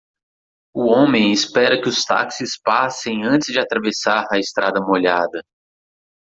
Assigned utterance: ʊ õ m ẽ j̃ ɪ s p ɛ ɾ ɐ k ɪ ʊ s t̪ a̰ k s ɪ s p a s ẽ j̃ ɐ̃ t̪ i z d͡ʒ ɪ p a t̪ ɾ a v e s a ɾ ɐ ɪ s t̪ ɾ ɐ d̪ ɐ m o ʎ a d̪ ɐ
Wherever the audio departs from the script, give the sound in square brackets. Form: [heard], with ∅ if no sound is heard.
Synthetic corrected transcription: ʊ õ m ẽ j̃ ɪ s p ɛ ɾ ɐ k ɪ ʊ s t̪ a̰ k s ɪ s p a s ẽ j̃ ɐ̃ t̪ [ɪ] z d͡ʒ ɪ [∅] a t̪ ɾ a v e s a ɾ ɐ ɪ s t̪ ɾ [a] d̪ ɐ m o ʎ a d̪ ɐ